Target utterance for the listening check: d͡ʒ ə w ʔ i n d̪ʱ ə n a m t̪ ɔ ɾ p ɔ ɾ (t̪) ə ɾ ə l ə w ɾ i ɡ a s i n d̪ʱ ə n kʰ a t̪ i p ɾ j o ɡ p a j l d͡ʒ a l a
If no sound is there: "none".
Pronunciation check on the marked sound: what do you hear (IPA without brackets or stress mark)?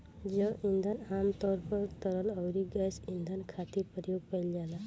t̪